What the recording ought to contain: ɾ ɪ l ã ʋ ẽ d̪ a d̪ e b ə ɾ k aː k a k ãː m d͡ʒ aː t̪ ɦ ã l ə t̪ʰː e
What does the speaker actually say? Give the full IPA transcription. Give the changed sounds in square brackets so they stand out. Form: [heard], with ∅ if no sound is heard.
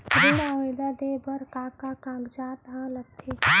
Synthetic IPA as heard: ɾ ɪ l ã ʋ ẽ d̪ a d̪ e b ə ɾ k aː k a k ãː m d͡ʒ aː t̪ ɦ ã l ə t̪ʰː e